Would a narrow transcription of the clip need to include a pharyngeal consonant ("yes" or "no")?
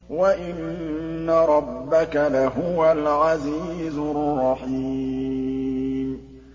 yes